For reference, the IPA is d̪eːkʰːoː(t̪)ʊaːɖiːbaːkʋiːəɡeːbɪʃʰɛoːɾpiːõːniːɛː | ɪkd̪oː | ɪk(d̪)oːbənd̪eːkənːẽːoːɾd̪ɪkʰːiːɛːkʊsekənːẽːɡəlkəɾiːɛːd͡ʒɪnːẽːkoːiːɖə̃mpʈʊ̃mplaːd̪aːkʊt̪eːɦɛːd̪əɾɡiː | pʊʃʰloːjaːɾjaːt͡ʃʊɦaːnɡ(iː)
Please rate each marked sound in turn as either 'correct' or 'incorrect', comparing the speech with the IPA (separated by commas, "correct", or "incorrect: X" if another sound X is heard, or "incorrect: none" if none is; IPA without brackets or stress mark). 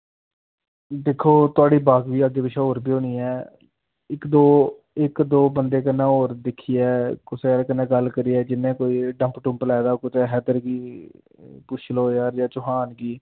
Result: correct, correct, correct